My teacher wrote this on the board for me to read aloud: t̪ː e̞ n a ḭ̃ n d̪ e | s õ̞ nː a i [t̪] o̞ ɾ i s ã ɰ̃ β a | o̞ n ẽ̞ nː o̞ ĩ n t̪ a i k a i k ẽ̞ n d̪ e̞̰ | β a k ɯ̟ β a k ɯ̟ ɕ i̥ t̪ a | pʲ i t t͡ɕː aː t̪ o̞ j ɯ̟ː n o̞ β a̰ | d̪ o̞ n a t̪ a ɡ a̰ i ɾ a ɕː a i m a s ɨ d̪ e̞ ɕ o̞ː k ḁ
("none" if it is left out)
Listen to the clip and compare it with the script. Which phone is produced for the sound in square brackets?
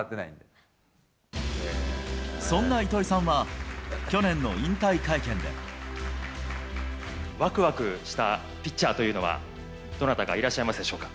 t̪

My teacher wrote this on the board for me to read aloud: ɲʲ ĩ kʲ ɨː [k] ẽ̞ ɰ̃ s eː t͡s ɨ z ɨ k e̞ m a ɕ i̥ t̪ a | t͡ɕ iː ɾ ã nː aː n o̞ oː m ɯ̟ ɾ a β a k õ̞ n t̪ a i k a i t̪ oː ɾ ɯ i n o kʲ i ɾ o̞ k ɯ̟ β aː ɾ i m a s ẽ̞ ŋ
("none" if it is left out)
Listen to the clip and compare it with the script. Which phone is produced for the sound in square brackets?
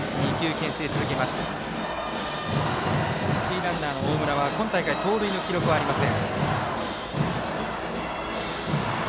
k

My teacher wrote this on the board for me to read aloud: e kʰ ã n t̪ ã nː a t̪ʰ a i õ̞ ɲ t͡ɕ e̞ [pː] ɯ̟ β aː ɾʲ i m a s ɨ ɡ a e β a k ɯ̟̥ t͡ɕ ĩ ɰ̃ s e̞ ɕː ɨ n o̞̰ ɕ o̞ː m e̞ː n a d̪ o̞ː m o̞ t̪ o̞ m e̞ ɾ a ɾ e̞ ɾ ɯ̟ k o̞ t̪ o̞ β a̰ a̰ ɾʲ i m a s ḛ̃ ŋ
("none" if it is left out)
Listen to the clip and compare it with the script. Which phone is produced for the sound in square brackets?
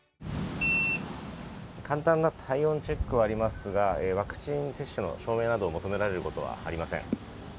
kː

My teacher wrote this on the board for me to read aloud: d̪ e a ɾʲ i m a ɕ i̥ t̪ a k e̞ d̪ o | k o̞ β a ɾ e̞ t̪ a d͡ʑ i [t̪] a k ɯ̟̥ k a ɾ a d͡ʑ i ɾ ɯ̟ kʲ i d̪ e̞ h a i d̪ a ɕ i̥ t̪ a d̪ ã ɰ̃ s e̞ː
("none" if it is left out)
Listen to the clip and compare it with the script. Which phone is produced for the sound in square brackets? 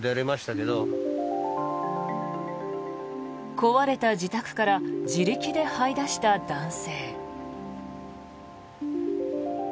t̪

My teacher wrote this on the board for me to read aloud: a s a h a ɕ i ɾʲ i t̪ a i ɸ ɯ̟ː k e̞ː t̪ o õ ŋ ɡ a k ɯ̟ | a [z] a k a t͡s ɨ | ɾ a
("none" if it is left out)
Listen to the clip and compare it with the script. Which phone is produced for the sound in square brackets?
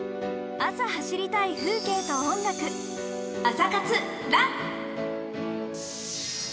s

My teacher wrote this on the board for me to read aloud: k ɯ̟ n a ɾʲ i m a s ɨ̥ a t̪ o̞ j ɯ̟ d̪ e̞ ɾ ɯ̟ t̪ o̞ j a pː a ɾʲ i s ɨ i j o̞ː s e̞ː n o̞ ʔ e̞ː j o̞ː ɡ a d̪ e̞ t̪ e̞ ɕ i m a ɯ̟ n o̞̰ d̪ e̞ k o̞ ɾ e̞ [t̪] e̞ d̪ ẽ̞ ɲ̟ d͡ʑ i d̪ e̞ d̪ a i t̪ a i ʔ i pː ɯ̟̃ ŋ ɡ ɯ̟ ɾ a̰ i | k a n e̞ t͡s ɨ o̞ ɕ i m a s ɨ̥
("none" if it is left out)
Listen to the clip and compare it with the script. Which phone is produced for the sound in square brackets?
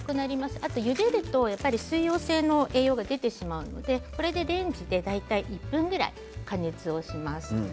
d̪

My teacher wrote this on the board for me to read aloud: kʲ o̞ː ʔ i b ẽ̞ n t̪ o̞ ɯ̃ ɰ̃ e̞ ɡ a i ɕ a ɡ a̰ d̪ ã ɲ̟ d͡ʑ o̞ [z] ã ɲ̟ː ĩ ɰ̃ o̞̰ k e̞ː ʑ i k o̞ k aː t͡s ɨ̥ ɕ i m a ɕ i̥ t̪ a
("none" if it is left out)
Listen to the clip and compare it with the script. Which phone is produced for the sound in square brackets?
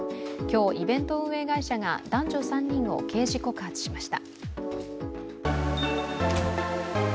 s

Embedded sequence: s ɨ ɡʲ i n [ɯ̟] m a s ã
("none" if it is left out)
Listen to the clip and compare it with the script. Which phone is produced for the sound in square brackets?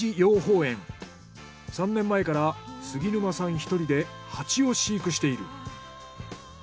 ɯ̟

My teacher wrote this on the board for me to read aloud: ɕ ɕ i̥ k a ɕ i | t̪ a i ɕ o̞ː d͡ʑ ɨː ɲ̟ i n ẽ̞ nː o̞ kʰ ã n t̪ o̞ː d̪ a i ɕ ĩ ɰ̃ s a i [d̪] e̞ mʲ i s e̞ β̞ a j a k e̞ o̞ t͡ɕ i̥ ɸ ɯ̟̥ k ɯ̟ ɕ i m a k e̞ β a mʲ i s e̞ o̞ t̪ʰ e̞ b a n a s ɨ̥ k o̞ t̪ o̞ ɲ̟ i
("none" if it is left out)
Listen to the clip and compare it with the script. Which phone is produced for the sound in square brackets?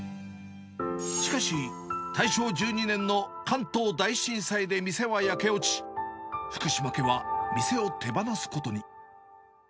d̪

